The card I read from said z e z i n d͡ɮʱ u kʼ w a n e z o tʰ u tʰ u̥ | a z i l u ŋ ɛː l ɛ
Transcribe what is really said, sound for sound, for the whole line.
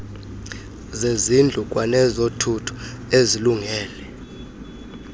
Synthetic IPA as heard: z e z i n d͡ɮʱ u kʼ w a n ɛ z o tʰ u tʰ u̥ | e z i l u ŋ ɛː l ɛ